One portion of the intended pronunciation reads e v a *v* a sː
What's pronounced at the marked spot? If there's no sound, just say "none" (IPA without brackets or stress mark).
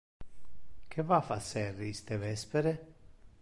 f